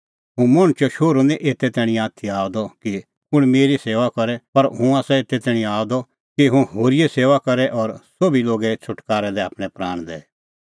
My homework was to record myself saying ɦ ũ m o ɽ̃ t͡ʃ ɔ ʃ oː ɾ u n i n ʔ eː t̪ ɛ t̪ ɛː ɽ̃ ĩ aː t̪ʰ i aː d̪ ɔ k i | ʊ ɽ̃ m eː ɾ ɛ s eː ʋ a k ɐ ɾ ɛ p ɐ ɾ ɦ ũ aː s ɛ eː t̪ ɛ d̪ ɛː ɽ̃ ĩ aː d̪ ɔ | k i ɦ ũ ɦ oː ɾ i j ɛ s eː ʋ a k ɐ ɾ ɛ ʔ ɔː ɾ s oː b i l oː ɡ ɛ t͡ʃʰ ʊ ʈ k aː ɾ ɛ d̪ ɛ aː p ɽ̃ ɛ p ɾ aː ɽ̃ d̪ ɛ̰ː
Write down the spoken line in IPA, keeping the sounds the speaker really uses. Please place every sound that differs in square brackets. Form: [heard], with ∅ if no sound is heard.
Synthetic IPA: ɦ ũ m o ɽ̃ t͡ʃ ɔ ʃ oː ɾ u n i [∅] ʔ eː t̪ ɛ t̪ ɛː ɽ̃ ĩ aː t̪ʰ i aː d̪ ɔ k i | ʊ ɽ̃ m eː ɾ [i] s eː ʋ a k ɐ ɾ ɛ p ɐ ɾ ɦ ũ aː s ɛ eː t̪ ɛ [t̪] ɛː ɽ̃ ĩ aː d̪ ɔ | k i ɦ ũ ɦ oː ɾ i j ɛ s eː ʋ a k ɐ ɾ ɛ ʔ ɔː ɾ s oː b i l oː ɡ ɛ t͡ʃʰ ʊ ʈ k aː ɾ ɛ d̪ ɛ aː p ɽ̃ ɛ p ɾ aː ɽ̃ d̪ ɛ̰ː

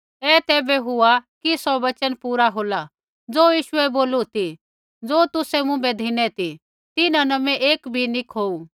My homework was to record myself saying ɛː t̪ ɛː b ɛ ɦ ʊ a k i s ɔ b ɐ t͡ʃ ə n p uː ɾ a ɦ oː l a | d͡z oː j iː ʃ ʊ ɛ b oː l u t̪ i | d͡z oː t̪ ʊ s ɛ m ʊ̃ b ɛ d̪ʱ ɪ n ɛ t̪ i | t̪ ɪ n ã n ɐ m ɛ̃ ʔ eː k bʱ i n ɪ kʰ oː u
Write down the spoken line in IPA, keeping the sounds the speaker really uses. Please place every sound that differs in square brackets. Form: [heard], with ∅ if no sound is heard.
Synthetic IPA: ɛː t̪ ɛː b ɛ ɦ ʊ a k i s ɔ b ɐ t͡ʃ ə n p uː ɾ a ɦ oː l a | d͡z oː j iː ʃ ʊ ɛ b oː l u t̪ i | d͡z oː t̪ ʊ s ɛ m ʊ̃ b ɛ d̪ʱ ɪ n ɛ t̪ i | t̪ ɪ n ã n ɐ m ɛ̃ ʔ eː k bʱ i n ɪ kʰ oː u

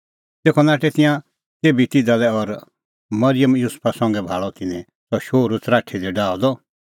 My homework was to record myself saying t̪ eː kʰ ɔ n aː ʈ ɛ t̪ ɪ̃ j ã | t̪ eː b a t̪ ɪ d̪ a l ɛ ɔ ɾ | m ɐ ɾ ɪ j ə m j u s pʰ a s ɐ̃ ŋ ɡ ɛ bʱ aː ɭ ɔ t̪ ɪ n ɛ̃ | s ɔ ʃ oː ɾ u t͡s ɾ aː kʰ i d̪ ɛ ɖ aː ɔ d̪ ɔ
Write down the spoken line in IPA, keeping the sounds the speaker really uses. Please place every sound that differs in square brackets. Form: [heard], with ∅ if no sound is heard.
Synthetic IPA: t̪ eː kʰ ɔ n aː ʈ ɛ t̪ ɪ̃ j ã | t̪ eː b [i] t̪ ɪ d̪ a l ɛ ɔ ɾ | m ɐ ɾ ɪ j ə m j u s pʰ a s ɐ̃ ŋ ɡ ɛ bʱ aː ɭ ɔ t̪ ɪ n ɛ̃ | s ɔ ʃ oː ɾ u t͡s ɾ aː [ʈʰ] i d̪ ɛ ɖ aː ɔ d̪ ɔ

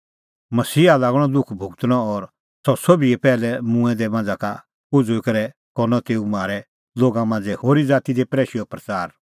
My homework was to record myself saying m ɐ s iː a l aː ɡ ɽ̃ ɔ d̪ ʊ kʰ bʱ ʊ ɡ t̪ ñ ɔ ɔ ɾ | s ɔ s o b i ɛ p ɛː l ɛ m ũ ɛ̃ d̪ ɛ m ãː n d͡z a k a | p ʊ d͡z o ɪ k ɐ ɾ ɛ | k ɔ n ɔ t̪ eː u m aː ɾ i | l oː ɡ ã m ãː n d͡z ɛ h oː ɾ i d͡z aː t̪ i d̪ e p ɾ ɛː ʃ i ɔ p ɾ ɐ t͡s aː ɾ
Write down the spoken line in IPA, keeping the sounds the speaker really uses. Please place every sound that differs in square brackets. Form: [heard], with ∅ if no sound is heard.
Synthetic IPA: m ɐ s iː a l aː ɡ ɽ̃ ɔ d̪ ʊ kʰ bʱ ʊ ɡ t̪ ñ ɔ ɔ ɾ | s ɔ s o b i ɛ p ɛː l ɛ m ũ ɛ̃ d̪ ɛ m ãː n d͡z a k a | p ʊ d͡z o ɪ k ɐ ɾ ɛ | k ɔ n ɔ t̪ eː u m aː ɾ [ɛ] | l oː ɡ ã m ãː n d͡z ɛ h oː ɾ i d͡z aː t̪ i d̪ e p ɾ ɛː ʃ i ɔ p ɾ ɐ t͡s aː ɾ

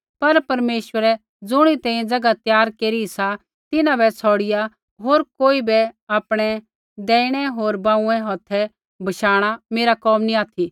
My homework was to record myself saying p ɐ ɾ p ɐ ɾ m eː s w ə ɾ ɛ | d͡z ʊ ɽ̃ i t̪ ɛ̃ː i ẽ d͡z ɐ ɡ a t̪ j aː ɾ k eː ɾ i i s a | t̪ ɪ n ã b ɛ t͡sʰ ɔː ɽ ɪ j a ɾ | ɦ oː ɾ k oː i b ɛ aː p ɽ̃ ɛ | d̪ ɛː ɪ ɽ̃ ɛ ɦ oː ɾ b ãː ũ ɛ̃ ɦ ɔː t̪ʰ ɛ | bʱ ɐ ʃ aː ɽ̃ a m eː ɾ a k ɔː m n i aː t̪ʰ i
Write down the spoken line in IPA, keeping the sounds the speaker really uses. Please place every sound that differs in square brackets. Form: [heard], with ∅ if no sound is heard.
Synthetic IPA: p ɐ ɾ p ɐ ɾ m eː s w ə ɾ ɛ | d͡z ʊ ɽ̃ i t̪ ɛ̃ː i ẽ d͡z ɐ ɡ a t̪ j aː ɾ k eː ɾ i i s a | t̪ ɪ n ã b ɛ t͡sʰ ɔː ɽ ɪ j a [∅] | ɦ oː ɾ k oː i b ɛ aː p ɽ̃ ɛ | d̪ ɛː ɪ ɽ̃ ɛ ɦ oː ɾ b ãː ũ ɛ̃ ɦ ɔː t̪ʰ ɛ | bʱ ɐ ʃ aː ɽ̃ a m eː ɾ a k ɔː m n i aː t̪ʰ i

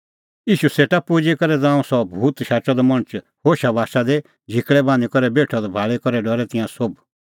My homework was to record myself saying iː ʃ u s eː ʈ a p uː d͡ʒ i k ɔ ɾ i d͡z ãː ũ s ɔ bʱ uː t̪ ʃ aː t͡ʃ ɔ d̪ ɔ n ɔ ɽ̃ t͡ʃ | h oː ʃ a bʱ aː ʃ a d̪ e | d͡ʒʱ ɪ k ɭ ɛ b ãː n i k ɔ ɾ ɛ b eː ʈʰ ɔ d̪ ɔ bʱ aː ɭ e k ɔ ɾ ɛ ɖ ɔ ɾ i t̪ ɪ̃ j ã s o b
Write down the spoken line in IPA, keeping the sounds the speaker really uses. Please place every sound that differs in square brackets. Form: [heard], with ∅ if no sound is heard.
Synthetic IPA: iː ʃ u s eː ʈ a p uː d͡ʒ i k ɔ ɾ [ɛ] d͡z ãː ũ s ɔ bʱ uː t̪ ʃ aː t͡ʃ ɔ d̪ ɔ [m] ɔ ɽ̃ t͡ʃ | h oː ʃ a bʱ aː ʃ a d̪ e | d͡ʒʱ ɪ k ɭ ɛ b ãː n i k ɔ ɾ ɛ b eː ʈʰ ɔ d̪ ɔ bʱ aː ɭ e k ɔ ɾ ɛ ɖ ɔ ɾ [ɛ] t̪ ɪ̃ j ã s o b

